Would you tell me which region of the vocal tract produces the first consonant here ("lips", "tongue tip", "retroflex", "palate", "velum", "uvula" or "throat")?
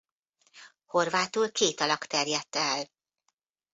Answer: throat